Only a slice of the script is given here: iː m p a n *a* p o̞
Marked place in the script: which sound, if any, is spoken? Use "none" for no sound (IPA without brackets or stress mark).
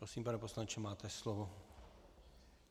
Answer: ɛ